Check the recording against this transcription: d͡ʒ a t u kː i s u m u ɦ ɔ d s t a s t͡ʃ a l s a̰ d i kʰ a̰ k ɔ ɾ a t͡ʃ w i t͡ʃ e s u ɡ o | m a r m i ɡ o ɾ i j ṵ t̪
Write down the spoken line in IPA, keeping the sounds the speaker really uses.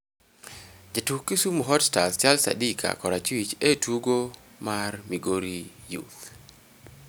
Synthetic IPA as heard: d͡ʒ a t u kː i s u m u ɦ ɔ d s t a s t͡ʃ a l s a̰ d i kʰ a̰ k ɔ ɾ a t͡ʃ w i t͡ʃ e t u ɡ o | m a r m i ɡ o ɾ i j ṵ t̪